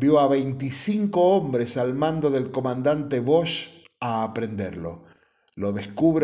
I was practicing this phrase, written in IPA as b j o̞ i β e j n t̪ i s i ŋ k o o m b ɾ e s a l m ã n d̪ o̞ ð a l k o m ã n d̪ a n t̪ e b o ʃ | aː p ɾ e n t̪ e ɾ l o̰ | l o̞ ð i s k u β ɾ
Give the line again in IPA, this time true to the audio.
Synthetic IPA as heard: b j o̞ a β e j n t̪ i s i ŋ k o o m b ɾ e s a l m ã n d̪ o̞ ð e l k o m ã n d̪ a n t̪ e β o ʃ | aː p ɾ e n d̪ e ɾ l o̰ | l o̞ ð e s k u β ɾ